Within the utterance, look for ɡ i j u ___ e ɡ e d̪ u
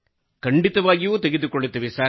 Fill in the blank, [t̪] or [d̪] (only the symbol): t̪